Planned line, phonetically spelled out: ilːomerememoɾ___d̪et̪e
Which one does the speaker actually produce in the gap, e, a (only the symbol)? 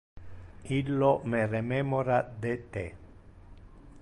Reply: a